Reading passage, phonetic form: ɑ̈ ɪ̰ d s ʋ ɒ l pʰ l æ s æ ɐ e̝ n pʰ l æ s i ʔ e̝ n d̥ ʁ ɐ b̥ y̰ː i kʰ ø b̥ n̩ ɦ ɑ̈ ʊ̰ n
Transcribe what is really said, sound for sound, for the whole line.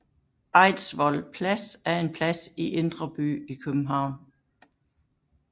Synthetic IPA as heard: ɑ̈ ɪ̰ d s ʋ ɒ l pʰ l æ s æ ɐ e̝ n pʰ l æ s i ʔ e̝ n d̥ ʁ ɐ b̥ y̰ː i kʰ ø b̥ m̩ ɦ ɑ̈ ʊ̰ n